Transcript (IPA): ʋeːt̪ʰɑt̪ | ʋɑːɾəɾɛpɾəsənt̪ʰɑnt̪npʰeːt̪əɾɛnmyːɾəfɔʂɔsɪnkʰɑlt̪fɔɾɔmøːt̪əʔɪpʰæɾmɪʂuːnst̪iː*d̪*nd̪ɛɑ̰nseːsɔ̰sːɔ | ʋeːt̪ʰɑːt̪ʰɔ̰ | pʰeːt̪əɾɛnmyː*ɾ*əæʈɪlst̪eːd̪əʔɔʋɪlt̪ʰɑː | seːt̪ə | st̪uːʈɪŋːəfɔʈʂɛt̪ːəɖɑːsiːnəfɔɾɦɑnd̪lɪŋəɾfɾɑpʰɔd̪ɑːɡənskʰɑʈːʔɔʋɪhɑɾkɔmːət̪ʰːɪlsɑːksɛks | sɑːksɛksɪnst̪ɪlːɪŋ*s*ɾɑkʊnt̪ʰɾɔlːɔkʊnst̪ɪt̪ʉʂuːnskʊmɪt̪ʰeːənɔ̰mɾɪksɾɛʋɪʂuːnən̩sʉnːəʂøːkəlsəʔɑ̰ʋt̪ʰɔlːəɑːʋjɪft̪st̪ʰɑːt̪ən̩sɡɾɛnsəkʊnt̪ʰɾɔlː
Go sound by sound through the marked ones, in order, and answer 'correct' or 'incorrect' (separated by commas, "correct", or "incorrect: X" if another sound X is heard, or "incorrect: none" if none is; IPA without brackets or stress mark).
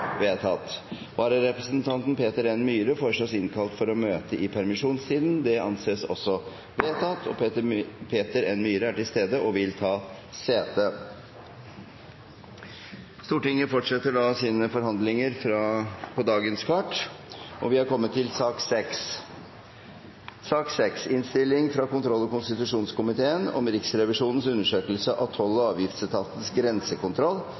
correct, correct, incorrect: f